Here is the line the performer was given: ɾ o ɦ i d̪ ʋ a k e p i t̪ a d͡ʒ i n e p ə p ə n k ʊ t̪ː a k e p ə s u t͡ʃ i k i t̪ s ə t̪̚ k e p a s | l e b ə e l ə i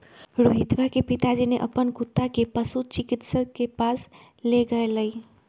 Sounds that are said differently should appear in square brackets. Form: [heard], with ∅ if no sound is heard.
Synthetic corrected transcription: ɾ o ɦ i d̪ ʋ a k e p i t̪ a d͡ʒ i n e [ʔ] ə p ə n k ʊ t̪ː a k e p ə s u t͡ʃ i k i t̪ s ə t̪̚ k e p a s | l e [ɡ] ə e l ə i